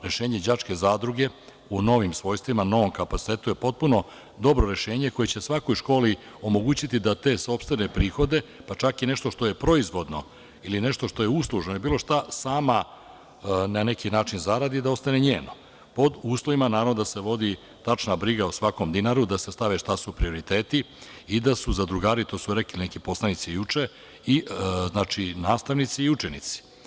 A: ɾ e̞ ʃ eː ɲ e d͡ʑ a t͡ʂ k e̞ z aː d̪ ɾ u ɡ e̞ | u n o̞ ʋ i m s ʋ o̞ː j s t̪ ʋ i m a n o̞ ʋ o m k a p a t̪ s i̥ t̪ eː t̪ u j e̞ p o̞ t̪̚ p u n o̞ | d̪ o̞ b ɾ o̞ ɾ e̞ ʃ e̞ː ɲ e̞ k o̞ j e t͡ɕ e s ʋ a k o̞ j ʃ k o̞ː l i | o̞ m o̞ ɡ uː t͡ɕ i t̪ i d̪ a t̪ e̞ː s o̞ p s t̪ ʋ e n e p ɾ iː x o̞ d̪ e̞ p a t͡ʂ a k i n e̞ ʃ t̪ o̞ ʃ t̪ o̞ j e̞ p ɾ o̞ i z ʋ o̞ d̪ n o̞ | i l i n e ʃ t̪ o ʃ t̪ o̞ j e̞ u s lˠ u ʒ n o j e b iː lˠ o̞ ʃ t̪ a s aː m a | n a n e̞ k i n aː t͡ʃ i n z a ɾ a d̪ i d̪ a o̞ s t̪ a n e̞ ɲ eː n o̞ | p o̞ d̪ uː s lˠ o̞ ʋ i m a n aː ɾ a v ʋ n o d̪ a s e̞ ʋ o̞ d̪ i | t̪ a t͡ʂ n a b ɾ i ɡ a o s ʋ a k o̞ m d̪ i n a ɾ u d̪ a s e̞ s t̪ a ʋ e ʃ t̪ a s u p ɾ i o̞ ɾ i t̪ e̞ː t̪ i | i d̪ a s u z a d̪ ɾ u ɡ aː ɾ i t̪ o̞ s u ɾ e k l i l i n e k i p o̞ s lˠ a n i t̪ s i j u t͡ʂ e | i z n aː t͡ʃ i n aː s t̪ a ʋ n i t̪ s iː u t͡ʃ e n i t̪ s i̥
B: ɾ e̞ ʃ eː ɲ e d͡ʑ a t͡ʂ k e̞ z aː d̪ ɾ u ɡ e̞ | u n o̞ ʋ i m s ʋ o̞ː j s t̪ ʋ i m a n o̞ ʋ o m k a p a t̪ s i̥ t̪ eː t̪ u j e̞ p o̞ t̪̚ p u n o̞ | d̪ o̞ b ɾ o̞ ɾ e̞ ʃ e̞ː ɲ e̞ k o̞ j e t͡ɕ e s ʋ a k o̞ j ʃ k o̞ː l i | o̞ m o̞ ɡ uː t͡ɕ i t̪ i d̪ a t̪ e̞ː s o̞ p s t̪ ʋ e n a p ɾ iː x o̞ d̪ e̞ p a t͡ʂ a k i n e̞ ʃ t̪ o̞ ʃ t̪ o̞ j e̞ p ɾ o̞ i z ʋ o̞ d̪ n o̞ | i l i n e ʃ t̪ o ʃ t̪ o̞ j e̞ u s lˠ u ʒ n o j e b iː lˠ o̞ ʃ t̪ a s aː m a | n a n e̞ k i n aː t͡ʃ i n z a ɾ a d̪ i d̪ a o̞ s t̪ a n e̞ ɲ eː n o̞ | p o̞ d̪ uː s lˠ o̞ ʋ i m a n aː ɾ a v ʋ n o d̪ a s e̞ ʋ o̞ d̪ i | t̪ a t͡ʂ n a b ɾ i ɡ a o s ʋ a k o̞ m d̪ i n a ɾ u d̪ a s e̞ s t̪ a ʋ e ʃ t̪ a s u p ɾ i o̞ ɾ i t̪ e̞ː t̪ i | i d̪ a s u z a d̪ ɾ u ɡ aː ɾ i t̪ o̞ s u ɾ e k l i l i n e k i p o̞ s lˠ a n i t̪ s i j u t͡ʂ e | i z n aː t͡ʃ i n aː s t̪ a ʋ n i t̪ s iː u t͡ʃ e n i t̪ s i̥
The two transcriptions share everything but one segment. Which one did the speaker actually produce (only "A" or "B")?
A